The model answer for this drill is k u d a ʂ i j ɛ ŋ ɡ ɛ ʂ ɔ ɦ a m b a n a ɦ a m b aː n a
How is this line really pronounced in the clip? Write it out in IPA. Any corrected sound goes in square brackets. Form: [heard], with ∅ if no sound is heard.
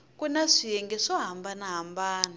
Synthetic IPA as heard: k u [n] a ʂ i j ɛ ŋ ɡ ɛ ʂ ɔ ɦ a m b a n a ɦ a m b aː n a